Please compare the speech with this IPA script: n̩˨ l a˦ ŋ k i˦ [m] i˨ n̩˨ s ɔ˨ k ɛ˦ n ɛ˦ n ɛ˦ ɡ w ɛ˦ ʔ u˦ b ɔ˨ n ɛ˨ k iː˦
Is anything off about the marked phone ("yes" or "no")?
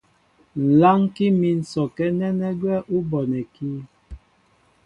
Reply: no